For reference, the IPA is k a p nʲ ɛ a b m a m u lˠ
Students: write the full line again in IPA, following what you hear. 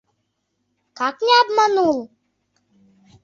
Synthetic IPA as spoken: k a k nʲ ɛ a b m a n u lˠ